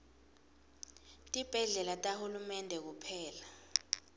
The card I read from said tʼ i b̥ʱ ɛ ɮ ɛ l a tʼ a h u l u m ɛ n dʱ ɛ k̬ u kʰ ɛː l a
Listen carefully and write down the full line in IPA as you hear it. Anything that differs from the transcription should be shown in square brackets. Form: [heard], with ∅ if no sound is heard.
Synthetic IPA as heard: tʼ i b̥ʱ ɛ ɮ ɛ l a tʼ a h u l u m ɛ n dʱ ɛ k̬ u [pʰ] ɛː l a